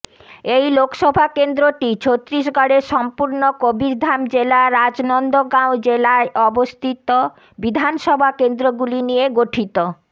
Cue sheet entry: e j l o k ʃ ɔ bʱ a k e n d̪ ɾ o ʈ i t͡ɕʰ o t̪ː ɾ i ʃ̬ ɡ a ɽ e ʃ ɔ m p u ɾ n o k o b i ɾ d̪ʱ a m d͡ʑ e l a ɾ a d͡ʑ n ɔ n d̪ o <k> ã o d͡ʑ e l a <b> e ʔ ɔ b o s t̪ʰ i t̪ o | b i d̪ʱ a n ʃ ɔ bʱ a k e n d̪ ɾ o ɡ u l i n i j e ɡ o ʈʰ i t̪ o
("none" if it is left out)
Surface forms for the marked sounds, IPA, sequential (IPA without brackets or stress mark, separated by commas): ɡ, none